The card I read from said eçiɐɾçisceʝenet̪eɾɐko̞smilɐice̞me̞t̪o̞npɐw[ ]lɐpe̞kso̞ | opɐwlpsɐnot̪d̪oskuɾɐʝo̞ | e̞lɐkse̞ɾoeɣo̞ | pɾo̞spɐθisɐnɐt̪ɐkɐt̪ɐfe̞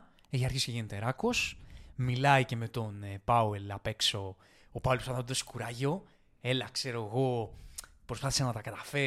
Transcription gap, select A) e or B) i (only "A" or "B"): A